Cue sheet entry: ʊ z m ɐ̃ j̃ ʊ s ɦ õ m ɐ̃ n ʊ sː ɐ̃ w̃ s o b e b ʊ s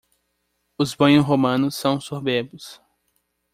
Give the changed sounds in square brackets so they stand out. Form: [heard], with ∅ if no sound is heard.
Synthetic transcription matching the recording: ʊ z [b] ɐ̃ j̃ ʊ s ɦ [o] m ɐ̃ n ʊ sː ɐ̃ w̃ s o b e b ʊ s